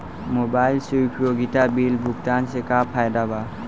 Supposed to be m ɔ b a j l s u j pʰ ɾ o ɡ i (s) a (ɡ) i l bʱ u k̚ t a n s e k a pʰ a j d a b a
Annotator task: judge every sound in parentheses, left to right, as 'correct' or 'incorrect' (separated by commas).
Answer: incorrect, incorrect